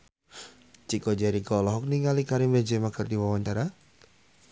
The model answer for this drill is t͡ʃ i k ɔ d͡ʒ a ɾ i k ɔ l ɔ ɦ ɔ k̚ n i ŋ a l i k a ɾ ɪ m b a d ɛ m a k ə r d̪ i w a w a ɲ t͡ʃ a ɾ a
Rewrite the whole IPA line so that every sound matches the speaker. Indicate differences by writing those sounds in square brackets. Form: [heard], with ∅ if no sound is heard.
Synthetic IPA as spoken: t͡ʃ i k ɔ d͡ʒ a ɾ i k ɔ l ɔ ɦ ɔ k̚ n i ŋ a l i k a ɾ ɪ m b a [d͡ʒ] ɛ m a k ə r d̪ i w a w a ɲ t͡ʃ a ɾ a